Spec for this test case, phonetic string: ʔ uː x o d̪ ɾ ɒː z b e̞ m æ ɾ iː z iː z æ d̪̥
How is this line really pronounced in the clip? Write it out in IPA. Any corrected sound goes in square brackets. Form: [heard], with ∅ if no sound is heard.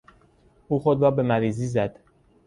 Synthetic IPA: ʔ uː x o d̪ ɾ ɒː [∅] b e̞ m æ ɾ iː z iː z æ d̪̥